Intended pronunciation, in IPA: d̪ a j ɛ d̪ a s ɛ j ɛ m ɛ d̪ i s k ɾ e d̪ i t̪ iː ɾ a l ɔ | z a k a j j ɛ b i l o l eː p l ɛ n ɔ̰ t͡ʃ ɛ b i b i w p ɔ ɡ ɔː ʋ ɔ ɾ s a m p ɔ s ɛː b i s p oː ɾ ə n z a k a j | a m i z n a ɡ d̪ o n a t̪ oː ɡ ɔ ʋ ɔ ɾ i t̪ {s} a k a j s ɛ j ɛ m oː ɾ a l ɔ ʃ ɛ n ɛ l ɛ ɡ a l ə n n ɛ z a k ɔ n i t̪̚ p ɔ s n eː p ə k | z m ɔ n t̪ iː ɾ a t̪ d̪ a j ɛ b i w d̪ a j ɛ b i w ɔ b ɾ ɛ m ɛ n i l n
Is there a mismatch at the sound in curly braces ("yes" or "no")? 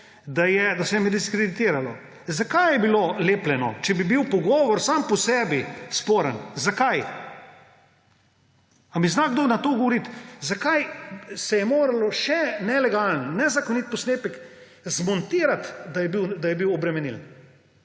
yes